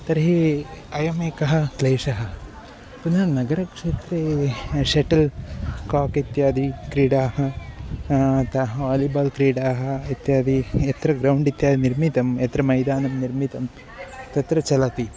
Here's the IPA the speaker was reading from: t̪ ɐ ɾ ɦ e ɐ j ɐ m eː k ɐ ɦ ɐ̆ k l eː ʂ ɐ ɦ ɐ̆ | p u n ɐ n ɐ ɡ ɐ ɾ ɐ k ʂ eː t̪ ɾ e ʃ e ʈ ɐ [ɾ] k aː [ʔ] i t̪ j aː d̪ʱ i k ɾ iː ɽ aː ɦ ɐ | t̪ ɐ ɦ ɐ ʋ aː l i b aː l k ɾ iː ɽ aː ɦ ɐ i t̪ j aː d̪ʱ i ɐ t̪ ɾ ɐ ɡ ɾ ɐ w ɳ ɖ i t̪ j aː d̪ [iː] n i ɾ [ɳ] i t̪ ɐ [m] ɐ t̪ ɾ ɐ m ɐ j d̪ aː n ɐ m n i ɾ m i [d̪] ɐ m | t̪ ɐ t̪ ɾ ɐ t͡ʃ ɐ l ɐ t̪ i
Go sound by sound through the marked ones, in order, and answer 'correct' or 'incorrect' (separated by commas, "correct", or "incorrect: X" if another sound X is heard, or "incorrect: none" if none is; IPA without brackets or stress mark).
incorrect: l, incorrect: k, incorrect: i, incorrect: m, correct, incorrect: t̪